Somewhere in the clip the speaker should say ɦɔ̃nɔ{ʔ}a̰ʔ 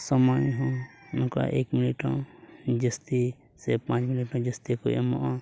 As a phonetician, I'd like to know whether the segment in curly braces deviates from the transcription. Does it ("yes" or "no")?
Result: yes